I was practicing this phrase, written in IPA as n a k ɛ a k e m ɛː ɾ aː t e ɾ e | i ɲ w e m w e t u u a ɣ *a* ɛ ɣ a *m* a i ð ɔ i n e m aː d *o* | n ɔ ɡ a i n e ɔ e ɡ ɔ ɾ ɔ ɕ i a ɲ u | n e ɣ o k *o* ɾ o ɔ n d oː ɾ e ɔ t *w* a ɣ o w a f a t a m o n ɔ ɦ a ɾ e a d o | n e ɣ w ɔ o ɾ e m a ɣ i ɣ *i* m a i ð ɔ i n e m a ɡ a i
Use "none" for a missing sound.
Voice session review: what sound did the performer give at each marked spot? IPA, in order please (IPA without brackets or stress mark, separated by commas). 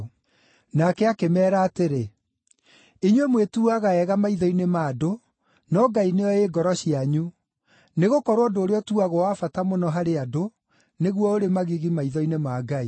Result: a, m, o, ɔ, u, i